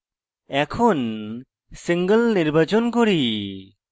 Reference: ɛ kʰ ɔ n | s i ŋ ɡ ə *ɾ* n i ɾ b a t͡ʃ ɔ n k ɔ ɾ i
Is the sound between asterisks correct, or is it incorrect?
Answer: incorrect